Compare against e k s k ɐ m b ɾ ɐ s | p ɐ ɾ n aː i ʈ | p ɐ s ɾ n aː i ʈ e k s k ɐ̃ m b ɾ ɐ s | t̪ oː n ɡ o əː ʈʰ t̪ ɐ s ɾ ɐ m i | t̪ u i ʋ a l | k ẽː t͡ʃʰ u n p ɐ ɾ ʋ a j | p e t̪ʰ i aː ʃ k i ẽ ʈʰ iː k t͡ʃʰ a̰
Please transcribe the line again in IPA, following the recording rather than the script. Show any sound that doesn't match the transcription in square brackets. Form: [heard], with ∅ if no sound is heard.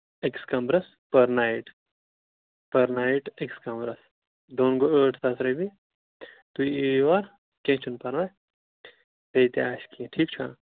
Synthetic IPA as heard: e k s k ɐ m b ɾ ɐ s | p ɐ ɾ n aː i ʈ | p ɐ [∅] ɾ n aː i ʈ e k s k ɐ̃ m b ɾ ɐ s | [d̪] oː n ɡ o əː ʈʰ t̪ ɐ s ɾ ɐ [b] i | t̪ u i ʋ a [ɾ] | k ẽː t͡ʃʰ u n p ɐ ɾ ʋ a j | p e [t̪] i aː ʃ k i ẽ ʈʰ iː k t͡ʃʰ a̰